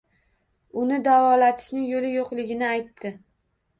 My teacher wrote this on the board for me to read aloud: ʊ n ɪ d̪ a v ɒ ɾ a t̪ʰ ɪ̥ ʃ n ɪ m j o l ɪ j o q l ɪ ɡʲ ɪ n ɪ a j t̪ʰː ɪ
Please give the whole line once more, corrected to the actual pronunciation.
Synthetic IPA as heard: ʊ n ɪ d̪ a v ɒ l a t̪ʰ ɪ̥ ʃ n ɪ ŋ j o l ɪ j o q l ɪ ɡʲ ɪ n ɪ a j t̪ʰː ɪ